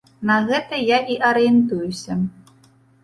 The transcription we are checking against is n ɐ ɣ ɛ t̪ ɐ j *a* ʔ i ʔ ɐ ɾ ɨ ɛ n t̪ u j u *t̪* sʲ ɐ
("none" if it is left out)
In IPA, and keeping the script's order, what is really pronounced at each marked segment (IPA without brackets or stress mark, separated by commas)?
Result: a, none